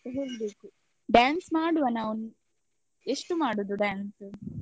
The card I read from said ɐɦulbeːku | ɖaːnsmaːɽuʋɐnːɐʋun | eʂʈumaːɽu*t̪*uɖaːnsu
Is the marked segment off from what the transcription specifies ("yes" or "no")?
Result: yes